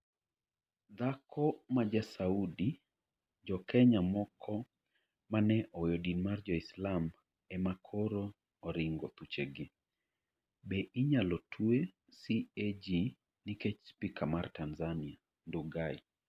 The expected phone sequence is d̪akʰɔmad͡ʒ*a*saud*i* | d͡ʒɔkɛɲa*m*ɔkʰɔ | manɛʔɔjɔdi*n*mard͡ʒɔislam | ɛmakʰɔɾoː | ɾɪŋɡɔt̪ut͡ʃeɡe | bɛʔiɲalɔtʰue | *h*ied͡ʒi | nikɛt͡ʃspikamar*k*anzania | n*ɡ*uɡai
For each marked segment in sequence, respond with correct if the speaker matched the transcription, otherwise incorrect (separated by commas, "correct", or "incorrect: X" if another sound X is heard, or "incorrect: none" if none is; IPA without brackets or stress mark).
correct, correct, correct, correct, incorrect: s, incorrect: t, incorrect: d